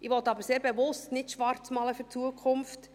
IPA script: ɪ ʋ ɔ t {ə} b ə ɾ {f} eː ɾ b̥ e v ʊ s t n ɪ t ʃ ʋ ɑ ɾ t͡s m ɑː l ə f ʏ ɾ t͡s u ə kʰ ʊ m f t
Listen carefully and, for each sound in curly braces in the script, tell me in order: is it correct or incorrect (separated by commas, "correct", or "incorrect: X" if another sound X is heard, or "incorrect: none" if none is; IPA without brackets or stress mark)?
incorrect: ɑ, incorrect: s